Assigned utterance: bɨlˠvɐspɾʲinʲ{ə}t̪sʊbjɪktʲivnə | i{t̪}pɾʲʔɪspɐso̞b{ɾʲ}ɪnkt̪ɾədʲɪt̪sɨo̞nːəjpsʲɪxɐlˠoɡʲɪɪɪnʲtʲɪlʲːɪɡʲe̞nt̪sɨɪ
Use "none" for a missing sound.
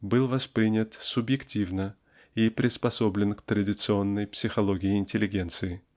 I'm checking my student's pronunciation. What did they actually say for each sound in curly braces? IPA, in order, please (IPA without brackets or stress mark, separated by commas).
ə, none, lʲ